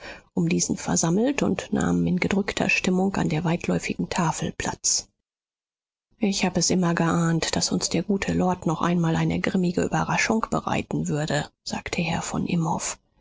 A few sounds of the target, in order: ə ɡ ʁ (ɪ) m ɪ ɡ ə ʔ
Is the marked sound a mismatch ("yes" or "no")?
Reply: no